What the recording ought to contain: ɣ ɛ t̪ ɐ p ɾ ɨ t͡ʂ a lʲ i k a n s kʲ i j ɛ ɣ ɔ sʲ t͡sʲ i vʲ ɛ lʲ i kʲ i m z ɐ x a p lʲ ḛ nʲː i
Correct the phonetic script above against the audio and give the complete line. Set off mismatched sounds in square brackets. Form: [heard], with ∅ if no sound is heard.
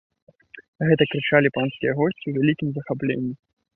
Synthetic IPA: ɣ ɛ t̪ ɐ [k] ɾ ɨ t͡ʂ a lʲ i [p] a n s kʲ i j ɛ ɣ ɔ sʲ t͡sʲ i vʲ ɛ lʲ i kʲ i m z ɐ x a p lʲ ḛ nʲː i